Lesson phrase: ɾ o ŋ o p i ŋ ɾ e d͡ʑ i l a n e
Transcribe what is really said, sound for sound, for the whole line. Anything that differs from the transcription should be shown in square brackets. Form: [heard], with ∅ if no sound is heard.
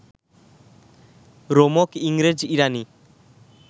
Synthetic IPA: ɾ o [m] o [k] i ŋ ɾ e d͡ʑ i [ɾ] a n [i]

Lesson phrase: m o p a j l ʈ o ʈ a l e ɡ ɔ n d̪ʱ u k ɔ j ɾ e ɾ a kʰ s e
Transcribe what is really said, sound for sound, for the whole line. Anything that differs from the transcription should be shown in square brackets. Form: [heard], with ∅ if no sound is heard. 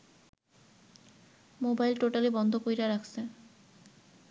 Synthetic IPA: m o [b] a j l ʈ o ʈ a l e [b] ɔ n d̪ʱ [o] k [o] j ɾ [a] ɾ a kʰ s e

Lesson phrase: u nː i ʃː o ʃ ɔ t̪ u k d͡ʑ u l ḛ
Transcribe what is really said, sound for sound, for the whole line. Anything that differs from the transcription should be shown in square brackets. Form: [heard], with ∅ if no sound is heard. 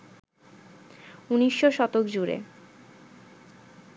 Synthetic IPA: u [n] i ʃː o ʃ ɔ t̪ [o] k d͡ʑ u [ɾ] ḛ

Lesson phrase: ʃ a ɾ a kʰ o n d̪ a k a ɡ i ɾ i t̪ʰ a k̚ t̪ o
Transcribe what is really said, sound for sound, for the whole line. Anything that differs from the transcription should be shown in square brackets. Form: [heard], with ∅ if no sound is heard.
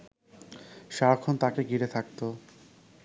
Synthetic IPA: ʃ a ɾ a kʰ o n [t̪] a k [e] ɡ i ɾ [e] t̪ʰ a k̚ t̪ o

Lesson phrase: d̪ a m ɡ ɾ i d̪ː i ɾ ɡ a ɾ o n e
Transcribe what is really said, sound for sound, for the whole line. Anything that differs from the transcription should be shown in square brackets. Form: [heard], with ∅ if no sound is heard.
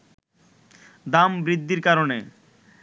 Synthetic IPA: d̪ a m [b] ɾ i d̪ː i ɾ [k] a ɾ o n e

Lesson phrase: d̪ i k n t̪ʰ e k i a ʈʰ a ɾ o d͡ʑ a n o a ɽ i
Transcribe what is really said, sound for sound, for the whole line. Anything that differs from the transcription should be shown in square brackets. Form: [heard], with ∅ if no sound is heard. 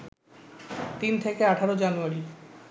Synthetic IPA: [t̪] i [∅] n t̪ʰ e k [e] a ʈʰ a ɾ o d͡ʑ a n [u] a [ɾ] i

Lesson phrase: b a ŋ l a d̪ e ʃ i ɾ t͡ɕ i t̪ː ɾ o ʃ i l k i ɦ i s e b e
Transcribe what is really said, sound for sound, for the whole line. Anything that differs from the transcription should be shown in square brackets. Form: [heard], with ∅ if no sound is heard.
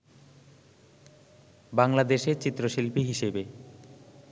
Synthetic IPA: b a ŋ l a d̪ e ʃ [e] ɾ t͡ɕ i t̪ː ɾ o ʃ i l [p] i ɦ i [ʃ] e b e

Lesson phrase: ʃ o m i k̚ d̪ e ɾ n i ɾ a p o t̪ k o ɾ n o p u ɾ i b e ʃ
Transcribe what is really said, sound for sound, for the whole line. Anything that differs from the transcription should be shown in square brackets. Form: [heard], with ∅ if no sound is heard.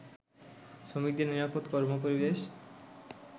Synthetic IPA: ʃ o m i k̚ d̪ e ɾ n i ɾ a p o t̪ k [ɔ] ɾ [m] o p [o] ɾ i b e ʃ

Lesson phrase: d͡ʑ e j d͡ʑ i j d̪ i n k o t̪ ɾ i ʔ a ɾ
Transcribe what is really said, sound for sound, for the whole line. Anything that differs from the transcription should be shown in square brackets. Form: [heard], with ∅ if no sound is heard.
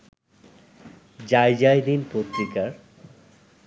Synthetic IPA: d͡ʑ [a] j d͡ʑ [a] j d̪ i n [p] o t̪ ɾ i [k] a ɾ

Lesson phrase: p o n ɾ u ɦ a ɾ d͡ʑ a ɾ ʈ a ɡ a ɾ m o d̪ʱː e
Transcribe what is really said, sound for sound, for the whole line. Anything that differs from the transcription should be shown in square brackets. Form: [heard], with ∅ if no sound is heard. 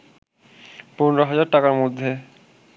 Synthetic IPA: p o n ɾ [o] ɦ a [∅] d͡ʑ a ɾ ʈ a [k] a ɾ m o d̪ʱː e

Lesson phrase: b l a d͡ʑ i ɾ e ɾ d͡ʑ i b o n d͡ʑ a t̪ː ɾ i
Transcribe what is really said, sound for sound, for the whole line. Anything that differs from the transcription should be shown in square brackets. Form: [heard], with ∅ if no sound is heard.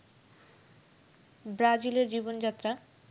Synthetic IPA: b [ɾ] a d͡ʑ i [l] e ɾ d͡ʑ i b o n d͡ʑ a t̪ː ɾ [a]

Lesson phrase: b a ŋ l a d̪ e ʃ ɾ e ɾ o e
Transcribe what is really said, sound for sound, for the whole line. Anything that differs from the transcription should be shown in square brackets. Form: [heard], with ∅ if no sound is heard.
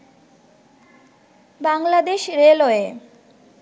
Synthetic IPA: b a ŋ l a d̪ e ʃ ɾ e [l] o e

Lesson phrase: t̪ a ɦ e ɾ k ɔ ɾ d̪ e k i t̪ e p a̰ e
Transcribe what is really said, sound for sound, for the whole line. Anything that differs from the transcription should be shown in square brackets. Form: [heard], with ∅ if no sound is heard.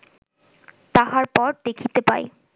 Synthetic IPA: t̪ a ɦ [a] ɾ [p] ɔ ɾ d̪ e [kʰ] i t̪ e p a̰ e

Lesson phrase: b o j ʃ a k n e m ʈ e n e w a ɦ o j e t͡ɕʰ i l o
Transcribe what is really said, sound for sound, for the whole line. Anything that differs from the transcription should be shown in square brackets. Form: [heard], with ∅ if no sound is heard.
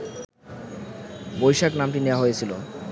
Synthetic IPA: b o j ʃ a k n [a] m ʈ [i] n e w a ɦ o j e t͡ɕʰ i l o

